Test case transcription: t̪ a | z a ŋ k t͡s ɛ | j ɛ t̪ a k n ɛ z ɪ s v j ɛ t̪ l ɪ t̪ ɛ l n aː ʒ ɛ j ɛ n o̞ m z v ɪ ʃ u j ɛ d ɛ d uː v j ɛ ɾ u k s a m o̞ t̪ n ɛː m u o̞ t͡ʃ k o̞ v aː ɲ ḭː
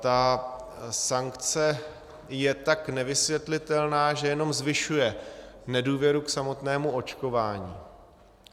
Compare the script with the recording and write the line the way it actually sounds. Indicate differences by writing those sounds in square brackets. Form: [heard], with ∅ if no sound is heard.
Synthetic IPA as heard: t̪ a | [s] a ŋ k t͡s ɛ | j ɛ t̪ a k n ɛ [v] ɪ s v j ɛ t̪ l ɪ t̪ ɛ l n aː ʒ ɛ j ɛ n o̞ m z v ɪ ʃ u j ɛ [n] ɛ d uː v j ɛ ɾ u k s a m o̞ t̪ n ɛː m u o̞ t͡ʃ k o̞ v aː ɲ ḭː

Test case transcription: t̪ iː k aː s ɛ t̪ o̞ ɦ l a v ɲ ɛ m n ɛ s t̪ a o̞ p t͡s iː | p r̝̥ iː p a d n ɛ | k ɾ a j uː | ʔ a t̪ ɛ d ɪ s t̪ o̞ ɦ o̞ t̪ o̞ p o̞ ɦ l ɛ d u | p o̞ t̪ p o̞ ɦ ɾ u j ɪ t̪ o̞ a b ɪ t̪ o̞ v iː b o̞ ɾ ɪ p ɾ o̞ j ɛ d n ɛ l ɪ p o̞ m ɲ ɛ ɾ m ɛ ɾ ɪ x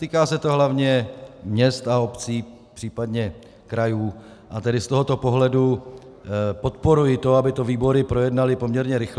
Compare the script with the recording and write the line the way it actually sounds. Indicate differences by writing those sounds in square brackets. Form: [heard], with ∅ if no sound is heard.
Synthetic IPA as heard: t̪ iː k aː s ɛ t̪ o̞ ɦ l a v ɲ ɛ m [ɲ] ɛ s t̪ a o̞ p t͡s iː | p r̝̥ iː p a d [ɲ] ɛ | k ɾ a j uː | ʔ a t̪ ɛ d ɪ s t̪ o̞ ɦ o̞ t̪ o̞ p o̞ ɦ l ɛ d u | p o̞ t̪ p o̞ [∅] ɾ u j ɪ t̪ o̞ a b ɪ t̪ o̞ v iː b o̞ ɾ ɪ p ɾ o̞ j ɛ d n [a] l ɪ p o̞ m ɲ ɛ ɾ [ɲ] ɛ ɾ ɪ x

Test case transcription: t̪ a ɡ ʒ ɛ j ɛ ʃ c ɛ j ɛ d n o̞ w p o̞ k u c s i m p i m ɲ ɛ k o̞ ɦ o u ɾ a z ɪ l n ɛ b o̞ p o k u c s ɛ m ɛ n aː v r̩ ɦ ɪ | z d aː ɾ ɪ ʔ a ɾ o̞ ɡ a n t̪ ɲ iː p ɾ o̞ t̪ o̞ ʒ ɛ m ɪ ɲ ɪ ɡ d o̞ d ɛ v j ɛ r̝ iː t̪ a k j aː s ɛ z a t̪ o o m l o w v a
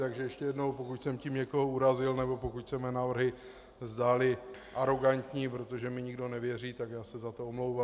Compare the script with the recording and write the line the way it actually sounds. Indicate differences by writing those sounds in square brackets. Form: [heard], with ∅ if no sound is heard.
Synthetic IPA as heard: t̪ a ɡ ʒ ɛ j ɛ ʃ c ɛ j ɛ d n o̞ w p o̞ k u c s [ɛ] m [c] i m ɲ ɛ k o̞ ɦ o u ɾ a z ɪ l n ɛ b o̞ p o k u c s ɛ m ɛ n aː v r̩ ɦ ɪ | z d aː [l] ɪ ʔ a ɾ o̞ ɡ a n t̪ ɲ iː p ɾ o̞ t̪ o̞ ʒ ɛ m ɪ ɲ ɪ ɡ d o̞ [n] ɛ v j ɛ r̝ iː t̪ a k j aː s ɛ z a t̪ o o m l o w v a

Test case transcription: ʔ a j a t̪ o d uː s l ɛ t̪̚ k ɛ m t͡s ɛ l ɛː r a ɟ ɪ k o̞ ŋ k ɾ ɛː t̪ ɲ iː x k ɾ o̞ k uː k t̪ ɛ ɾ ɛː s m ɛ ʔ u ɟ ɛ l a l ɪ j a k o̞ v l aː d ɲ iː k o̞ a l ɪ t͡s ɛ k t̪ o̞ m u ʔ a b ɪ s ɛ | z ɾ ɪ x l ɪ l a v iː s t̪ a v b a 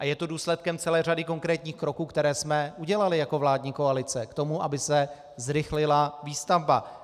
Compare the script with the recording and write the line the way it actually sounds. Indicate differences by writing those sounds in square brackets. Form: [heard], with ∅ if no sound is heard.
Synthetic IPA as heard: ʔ a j [ɛ] t̪ o d uː s l ɛ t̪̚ k ɛ m t͡s ɛ l ɛː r a [d] ɪ k o̞ ŋ k ɾ ɛː t̪ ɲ iː x k ɾ o̞ k uː k t̪ ɛ ɾ ɛː s m ɛ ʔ u ɟ ɛ l a l ɪ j a k o̞ v l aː d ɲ iː k o̞ a l ɪ t͡s ɛ k t̪ o̞ m u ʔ a b ɪ s ɛ | z ɾ ɪ x l ɪ l a v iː s t̪ a v b a

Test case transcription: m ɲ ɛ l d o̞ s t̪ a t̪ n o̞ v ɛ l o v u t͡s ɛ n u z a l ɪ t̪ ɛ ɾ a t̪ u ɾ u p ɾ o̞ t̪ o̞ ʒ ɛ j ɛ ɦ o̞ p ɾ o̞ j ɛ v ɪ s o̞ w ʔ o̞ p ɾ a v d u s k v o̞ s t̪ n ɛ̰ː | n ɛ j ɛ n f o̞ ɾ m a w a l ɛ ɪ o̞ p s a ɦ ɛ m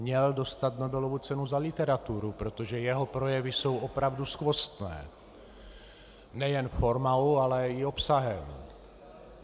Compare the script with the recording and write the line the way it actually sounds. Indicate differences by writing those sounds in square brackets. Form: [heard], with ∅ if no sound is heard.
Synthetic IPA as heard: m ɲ ɛ l d o̞ s t̪ a t̪ n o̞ [b] ɛ l o v u t͡s ɛ n u z a l ɪ t̪ ɛ ɾ a t̪ u ɾ u p ɾ o̞ t̪ o̞ ʒ ɛ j ɛ ɦ o̞ p ɾ o̞ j ɛ v ɪ s o̞ w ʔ o̞ p ɾ a v d u s k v o̞ s t̪ n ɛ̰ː | n ɛ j ɛ n f o̞ ɾ m a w a l ɛ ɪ o̞ p s a ɦ ɛ m

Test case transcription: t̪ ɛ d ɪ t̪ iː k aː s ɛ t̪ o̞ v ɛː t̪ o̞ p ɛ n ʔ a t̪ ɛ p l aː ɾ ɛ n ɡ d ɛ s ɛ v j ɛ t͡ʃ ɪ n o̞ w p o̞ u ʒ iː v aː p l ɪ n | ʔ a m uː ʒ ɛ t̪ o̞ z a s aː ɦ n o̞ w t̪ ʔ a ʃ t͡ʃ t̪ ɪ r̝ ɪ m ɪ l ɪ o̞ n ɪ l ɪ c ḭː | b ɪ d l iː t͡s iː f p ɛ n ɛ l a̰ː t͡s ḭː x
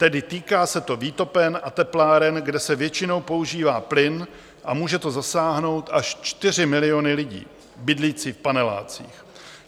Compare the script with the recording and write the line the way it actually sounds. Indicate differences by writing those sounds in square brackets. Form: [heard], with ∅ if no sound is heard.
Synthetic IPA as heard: t̪ ɛ d ɪ t̪ iː k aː s ɛ t̪ o̞ v [iː] t̪ o̞ p ɛ n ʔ a t̪ ɛ p l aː ɾ ɛ n ɡ d ɛ s ɛ v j ɛ t͡ʃ ɪ n o̞ w p o̞ u ʒ iː v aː p l ɪ n | ʔ a m uː ʒ ɛ t̪ o̞ z a s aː ɦ n o̞ w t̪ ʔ a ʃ t͡ʃ t̪ ɪ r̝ ɪ m ɪ l ɪ o̞ n ɪ l ɪ [ɟ] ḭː | b ɪ d l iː t͡s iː f p [a] n ɛ l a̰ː t͡s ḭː x

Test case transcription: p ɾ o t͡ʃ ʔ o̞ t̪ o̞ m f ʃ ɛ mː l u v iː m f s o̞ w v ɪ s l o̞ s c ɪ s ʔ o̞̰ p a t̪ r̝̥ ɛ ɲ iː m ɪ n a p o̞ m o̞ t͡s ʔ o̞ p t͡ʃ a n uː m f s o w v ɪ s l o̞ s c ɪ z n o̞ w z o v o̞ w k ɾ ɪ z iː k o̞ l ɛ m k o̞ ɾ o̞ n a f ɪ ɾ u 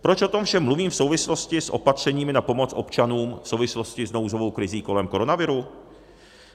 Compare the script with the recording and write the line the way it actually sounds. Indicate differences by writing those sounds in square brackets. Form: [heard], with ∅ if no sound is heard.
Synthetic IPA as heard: p ɾ o t͡ʃ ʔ o̞ t̪ o̞ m f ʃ ɛ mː l u v iː m f s o̞ w v ɪ s l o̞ s c ɪ s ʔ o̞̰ p a t̪ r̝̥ ɛ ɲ iː m ɪ n a p o̞ m o̞ t͡s ʔ o̞ p t͡ʃ a n uː m f s o w v ɪ s l o̞ s c ɪ z n o̞ w z o v o̞ w k ɾ ɪ z iː k o̞ l ɛ m k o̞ ɾ o̞ n a [v] ɪ ɾ u

